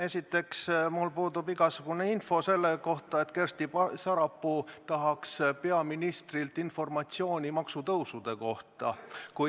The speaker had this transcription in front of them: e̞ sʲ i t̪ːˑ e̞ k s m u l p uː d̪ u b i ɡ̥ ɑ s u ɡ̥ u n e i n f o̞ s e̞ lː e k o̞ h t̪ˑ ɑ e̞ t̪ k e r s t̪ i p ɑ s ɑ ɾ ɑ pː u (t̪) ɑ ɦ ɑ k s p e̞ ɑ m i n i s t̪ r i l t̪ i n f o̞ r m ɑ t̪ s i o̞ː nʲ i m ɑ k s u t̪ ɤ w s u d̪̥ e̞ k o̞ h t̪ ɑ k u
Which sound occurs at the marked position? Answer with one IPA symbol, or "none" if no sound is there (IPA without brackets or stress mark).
t̪